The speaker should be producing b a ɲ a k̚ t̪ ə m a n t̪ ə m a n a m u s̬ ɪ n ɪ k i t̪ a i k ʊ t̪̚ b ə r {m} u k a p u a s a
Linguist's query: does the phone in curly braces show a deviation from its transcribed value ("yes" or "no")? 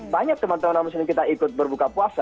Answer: yes